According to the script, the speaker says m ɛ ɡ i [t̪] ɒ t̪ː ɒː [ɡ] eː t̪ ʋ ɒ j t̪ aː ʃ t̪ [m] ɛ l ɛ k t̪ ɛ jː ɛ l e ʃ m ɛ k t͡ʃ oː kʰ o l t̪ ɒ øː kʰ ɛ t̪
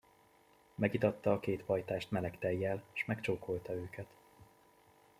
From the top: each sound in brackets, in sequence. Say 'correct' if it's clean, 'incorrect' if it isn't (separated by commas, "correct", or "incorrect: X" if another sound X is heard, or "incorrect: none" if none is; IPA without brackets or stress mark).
correct, incorrect: k, correct